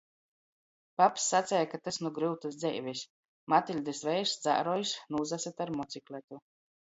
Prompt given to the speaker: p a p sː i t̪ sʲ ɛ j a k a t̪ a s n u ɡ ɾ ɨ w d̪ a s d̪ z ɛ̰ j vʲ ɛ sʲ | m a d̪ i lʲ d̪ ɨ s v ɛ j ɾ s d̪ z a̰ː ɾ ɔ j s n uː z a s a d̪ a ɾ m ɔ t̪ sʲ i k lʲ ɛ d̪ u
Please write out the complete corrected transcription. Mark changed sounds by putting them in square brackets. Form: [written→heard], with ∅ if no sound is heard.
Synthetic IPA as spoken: p a p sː [i→a] t̪ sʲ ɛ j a k a t̪ a s n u ɡ ɾ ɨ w [d̪→t̪] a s d̪ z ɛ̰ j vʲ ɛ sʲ | m a [d̪→t̪] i lʲ d̪ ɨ s v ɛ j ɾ s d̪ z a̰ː ɾ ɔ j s n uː z a s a [d̪→t̪] a ɾ m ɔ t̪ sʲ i k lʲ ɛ [d̪→t̪] u